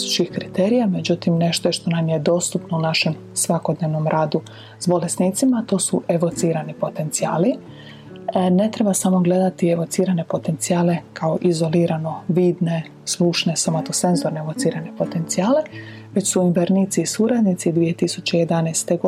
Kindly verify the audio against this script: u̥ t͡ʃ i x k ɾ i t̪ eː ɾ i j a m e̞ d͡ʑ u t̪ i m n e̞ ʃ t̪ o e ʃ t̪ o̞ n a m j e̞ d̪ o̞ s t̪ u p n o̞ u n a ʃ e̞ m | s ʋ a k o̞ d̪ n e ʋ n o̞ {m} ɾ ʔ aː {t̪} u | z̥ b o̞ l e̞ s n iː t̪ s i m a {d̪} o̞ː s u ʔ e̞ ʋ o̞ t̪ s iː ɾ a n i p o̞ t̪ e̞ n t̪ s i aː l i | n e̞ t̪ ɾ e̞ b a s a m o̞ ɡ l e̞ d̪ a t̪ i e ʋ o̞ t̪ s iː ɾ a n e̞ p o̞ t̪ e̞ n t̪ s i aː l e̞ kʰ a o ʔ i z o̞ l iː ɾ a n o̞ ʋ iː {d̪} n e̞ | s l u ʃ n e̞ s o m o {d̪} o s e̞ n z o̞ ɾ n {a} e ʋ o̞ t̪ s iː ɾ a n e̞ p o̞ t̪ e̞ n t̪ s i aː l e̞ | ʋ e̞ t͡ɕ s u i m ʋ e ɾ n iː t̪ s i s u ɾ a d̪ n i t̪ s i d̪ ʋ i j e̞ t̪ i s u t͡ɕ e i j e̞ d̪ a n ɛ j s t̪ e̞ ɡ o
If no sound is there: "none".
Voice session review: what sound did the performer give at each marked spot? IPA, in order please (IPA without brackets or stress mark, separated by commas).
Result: m, d̪, t̪, d̪, t̪, e